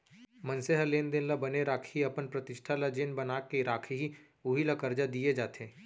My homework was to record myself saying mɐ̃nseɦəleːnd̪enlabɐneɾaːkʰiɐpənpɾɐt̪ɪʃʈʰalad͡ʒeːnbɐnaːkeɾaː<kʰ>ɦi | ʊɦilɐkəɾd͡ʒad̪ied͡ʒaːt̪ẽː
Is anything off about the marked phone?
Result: no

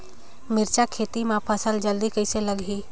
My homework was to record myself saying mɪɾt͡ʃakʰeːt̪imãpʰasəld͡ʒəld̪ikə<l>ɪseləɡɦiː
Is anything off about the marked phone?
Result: yes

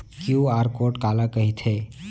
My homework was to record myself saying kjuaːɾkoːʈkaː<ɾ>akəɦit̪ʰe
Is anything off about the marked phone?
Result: yes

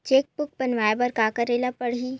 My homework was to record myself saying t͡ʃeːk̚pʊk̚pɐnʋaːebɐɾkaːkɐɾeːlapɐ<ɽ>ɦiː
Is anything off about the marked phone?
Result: no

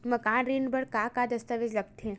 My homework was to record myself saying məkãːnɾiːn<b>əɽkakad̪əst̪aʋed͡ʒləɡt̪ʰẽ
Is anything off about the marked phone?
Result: no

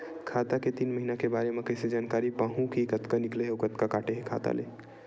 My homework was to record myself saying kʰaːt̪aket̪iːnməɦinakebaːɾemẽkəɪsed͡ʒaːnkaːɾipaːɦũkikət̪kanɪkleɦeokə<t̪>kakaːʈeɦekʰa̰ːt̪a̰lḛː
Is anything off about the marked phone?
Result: no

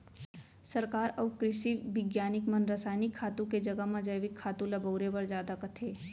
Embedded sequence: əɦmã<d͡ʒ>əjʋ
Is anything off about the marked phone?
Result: no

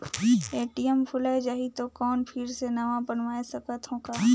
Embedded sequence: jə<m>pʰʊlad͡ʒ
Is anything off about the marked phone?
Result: no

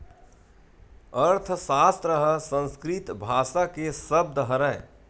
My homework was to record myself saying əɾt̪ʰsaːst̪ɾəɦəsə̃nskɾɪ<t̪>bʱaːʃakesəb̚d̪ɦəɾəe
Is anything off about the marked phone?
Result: no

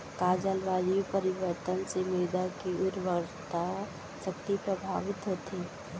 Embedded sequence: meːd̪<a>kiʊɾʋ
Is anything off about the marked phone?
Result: no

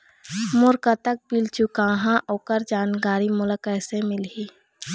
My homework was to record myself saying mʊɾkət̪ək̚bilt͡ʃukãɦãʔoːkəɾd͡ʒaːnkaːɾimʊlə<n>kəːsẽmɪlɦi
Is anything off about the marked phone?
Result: yes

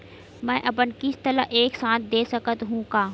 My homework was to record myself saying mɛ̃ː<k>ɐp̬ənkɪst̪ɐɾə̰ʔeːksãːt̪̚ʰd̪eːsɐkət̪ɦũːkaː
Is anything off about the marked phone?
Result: yes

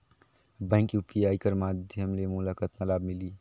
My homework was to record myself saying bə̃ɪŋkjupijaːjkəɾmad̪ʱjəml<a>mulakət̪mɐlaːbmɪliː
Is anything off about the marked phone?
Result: yes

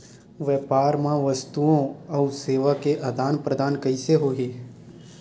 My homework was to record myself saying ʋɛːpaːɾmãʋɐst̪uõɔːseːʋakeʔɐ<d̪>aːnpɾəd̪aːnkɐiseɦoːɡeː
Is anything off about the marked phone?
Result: no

